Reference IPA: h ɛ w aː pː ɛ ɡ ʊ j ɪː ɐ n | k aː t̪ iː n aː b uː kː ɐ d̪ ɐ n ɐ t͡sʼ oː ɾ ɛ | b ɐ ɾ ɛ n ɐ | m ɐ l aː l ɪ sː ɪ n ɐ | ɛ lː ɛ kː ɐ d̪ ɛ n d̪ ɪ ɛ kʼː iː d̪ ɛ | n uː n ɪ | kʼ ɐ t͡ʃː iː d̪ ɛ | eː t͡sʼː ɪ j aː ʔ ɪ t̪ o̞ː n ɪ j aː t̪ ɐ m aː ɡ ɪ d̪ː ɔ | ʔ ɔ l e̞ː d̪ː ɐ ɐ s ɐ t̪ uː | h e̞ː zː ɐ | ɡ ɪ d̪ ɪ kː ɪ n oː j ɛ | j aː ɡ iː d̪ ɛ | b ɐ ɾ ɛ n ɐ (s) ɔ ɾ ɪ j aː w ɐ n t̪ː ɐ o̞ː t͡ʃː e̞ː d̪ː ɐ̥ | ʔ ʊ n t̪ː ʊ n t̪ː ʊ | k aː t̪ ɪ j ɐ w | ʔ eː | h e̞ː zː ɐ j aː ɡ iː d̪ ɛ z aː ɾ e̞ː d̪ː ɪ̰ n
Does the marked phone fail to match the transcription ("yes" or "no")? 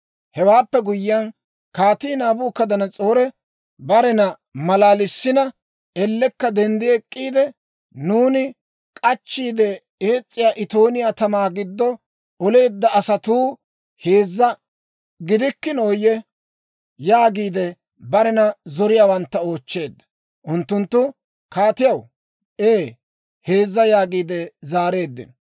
yes